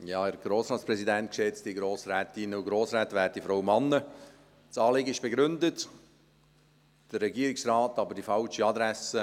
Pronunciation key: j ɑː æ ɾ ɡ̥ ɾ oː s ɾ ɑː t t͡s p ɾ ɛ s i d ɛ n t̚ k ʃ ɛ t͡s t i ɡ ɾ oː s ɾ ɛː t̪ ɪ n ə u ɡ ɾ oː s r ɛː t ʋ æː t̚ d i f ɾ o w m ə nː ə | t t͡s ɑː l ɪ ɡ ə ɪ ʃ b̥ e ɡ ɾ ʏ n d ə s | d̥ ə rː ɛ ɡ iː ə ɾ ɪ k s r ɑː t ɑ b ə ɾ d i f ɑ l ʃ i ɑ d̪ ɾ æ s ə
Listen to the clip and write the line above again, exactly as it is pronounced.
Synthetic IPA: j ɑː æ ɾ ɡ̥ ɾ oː s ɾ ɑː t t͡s p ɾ ɛ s i d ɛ n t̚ k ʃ ɛ t͡s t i ɡ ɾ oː s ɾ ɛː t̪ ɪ n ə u ɡ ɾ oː s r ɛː t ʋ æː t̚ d i f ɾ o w m ɑ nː ə | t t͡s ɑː l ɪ ɡ ə ɪ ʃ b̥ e ɡ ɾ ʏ n d ə t | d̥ ə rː ɛ ɡ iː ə ɾ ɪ k s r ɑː t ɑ b ə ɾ d i f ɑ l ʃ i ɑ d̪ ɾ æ s ə